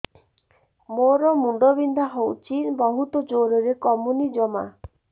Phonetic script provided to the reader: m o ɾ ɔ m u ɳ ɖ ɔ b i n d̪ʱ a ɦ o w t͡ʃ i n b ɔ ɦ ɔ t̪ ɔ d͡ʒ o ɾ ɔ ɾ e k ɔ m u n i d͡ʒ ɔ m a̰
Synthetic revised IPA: m o ɾ ɔ m u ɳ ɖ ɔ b i n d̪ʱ a ɦ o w t͡ʃ i n b ɔ ɦ u t̪ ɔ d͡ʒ o ɾ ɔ ɾ e k ɔ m u n i d͡ʒ ɔ m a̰